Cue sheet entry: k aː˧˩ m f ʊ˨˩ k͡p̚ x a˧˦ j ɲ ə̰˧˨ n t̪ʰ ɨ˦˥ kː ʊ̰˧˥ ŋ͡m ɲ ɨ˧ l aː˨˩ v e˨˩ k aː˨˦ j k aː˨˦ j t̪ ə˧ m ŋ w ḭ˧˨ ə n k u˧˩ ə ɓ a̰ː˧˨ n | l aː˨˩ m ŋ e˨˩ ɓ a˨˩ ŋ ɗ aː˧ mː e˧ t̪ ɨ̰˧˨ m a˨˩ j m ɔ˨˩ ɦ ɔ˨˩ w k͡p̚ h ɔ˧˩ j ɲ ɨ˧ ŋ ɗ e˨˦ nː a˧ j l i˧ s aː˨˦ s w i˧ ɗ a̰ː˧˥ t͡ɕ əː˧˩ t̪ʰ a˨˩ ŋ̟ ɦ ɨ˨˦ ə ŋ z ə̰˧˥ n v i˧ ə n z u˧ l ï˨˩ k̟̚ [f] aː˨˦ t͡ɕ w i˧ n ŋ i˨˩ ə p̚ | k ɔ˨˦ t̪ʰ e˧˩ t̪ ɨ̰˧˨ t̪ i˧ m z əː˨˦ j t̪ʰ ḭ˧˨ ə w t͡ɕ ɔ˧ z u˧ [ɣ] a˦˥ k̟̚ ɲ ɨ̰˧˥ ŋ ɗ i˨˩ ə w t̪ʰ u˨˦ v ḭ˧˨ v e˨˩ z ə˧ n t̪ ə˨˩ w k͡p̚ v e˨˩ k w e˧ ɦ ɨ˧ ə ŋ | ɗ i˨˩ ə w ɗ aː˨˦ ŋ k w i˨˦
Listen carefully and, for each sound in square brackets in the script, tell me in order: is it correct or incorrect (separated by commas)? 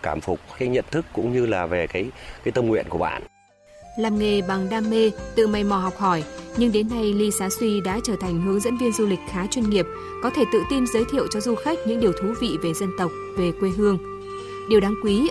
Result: incorrect, incorrect